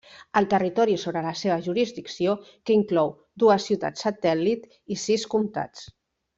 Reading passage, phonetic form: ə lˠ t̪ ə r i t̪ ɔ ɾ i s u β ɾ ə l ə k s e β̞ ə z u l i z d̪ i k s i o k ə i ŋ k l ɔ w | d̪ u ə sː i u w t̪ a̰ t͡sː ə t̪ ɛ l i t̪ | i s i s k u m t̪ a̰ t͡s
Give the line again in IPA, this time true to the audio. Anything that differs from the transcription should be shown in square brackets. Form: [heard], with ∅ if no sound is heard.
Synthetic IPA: ə lˠ t̪ ə r i t̪ ɔ ɾ i s [o] β ɾ ə l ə [∅] s e β̞ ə [ʒ] u [ɾ] i z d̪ i k s i o k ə i ŋ k l ɔ w | d̪ u ə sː i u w t̪ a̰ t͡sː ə t̪ ɛ l i t̪ | i s i s k u m t̪ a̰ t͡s